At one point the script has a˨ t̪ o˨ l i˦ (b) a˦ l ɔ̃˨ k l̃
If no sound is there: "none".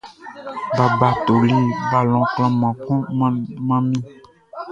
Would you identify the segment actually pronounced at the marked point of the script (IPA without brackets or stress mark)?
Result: b